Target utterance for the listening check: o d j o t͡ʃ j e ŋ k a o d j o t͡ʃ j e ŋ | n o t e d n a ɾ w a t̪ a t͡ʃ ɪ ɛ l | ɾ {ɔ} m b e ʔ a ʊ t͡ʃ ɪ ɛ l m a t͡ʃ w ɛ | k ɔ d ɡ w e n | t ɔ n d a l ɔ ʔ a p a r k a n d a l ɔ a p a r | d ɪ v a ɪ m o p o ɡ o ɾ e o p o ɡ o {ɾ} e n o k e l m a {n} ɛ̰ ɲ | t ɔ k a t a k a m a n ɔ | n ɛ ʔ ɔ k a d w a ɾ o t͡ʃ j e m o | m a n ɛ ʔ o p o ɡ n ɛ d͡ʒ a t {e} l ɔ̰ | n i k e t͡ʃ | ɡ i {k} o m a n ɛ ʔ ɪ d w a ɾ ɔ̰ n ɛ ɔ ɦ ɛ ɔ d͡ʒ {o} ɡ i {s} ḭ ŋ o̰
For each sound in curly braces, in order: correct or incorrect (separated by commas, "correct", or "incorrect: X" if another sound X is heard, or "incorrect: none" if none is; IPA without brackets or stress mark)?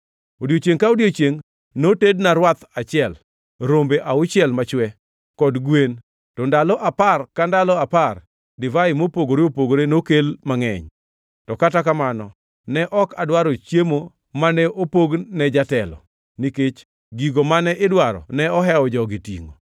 incorrect: o, correct, incorrect: ŋ, incorrect: ɛ, incorrect: ɡ, incorrect: ɔ, incorrect: t